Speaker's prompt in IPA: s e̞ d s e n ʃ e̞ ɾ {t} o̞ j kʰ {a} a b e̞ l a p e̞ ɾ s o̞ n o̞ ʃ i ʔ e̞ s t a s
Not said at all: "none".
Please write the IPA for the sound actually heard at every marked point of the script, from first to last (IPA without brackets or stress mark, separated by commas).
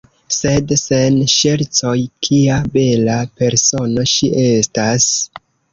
t͡s, i